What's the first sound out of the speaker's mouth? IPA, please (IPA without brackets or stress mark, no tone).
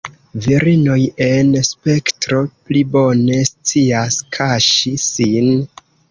v